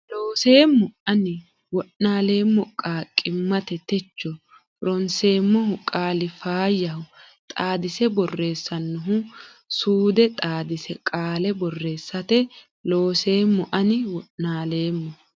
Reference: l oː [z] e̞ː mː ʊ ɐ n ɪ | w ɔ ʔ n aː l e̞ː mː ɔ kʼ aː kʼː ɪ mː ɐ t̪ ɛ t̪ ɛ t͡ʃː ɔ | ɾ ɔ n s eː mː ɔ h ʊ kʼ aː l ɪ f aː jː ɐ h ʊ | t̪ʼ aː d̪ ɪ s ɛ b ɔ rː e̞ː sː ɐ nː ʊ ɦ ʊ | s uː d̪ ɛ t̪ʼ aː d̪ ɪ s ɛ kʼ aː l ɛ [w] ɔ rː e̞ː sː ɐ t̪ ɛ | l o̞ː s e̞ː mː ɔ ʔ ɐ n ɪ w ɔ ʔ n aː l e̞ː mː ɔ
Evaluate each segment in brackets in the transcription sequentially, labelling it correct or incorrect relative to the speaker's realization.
incorrect, incorrect

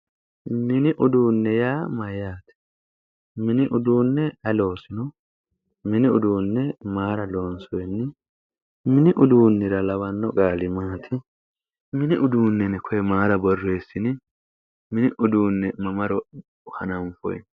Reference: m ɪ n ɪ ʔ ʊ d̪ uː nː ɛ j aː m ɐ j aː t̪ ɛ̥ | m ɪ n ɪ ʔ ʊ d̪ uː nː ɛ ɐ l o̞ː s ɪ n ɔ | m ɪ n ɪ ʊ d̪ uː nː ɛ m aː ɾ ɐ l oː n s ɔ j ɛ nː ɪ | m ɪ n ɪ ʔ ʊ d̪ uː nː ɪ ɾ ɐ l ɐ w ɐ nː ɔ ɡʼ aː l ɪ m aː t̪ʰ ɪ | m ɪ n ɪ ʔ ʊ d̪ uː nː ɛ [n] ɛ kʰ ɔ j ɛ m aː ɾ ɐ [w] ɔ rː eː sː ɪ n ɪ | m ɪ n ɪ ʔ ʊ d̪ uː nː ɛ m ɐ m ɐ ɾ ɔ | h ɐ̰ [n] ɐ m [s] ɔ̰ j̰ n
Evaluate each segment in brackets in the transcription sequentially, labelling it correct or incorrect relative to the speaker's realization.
correct, incorrect, correct, incorrect

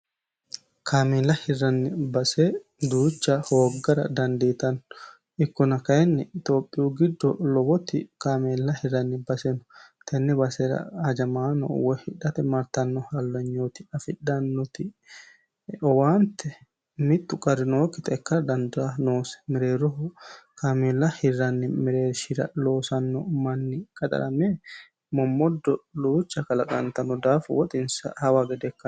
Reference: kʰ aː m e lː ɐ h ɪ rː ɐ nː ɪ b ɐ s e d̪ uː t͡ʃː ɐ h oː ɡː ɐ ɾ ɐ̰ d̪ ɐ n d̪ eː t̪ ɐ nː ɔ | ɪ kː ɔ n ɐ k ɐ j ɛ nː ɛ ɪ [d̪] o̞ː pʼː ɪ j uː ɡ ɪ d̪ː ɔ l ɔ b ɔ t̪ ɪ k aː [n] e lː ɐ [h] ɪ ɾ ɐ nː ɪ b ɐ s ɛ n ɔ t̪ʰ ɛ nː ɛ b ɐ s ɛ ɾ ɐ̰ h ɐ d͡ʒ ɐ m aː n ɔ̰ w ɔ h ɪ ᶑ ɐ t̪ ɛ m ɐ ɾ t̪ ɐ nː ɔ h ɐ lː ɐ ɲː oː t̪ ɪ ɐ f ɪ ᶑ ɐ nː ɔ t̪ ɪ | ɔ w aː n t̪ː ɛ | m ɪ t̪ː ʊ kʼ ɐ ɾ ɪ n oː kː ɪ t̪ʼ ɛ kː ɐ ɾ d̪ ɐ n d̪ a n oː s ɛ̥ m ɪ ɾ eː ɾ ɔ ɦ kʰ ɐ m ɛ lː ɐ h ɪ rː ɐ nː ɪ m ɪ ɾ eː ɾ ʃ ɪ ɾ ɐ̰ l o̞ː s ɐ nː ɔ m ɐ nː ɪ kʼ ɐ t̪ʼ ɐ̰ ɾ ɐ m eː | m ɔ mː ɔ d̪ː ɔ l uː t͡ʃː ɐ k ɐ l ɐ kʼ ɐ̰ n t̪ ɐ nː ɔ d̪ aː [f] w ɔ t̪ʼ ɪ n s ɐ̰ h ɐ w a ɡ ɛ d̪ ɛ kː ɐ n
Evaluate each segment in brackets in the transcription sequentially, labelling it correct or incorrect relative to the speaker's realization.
incorrect, incorrect, correct, correct

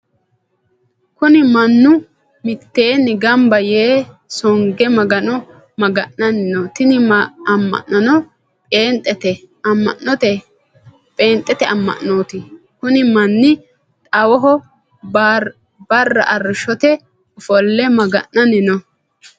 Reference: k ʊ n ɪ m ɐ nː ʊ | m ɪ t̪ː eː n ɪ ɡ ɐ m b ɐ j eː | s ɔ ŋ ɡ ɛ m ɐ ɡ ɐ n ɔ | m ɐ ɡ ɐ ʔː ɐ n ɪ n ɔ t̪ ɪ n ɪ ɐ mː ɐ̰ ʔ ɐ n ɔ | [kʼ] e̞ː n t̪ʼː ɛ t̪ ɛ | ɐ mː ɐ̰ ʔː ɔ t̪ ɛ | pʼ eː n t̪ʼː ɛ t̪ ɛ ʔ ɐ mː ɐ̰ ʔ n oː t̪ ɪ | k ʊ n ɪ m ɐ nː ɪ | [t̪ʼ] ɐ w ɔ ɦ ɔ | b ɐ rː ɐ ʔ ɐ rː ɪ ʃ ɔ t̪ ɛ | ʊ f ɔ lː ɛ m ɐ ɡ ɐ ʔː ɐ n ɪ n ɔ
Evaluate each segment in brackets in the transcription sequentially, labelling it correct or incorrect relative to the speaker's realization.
incorrect, correct

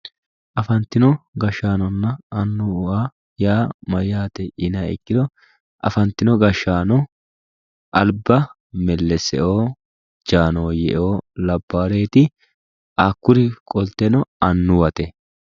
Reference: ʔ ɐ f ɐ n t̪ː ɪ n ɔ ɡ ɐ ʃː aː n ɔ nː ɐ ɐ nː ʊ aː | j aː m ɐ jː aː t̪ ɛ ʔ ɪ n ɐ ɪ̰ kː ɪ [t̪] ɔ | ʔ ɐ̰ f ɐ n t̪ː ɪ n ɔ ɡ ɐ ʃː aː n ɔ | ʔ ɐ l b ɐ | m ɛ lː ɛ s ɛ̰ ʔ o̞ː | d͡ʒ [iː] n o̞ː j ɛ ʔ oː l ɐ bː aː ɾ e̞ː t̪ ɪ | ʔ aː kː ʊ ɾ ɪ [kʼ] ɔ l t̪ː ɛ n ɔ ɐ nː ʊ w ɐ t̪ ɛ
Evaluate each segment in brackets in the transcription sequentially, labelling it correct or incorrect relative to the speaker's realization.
incorrect, incorrect, correct

